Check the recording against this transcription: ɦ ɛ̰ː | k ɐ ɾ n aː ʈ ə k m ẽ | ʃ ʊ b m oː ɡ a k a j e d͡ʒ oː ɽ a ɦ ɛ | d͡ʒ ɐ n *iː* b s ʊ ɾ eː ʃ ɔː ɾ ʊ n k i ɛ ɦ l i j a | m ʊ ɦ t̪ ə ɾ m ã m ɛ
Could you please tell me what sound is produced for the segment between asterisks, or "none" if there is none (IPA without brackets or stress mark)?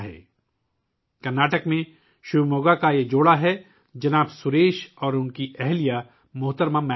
aː